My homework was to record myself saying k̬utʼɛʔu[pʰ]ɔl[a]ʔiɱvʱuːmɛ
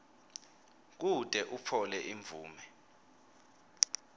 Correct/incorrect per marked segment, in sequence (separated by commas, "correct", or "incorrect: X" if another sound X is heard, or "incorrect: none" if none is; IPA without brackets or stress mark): correct, incorrect: ɛ